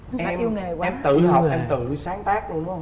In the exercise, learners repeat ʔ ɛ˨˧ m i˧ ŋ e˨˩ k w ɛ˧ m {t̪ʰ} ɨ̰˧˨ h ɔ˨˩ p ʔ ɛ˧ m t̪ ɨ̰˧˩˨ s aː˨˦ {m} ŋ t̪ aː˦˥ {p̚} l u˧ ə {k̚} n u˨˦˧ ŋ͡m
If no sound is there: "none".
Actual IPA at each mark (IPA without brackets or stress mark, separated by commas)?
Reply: t̪, none, k̚, none